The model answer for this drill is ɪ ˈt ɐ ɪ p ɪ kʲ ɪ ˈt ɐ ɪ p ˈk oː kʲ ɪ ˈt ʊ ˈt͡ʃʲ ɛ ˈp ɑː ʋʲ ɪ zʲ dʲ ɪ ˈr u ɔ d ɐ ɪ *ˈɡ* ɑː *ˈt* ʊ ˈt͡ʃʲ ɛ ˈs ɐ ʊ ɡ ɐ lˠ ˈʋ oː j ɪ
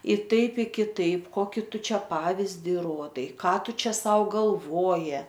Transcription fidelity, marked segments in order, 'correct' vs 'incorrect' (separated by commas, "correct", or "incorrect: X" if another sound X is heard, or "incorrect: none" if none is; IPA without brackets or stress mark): incorrect: k, correct